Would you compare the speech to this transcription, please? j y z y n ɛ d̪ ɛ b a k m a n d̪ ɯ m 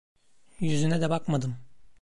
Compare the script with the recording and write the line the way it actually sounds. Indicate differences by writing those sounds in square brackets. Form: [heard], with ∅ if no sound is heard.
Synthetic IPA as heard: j y z y n ɛ d̪ ɛ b a k m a [∅] d̪ ɯ m